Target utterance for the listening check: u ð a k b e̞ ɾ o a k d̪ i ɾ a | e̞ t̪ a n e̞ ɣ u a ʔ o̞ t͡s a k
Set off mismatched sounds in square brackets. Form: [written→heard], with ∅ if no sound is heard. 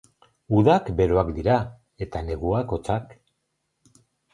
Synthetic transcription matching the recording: u ð a k b e̞ ɾ o a k d̪ i ɾ a | e̞ t̪ a n e̞ ɣ u a [ʔ→k] o̞ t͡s a k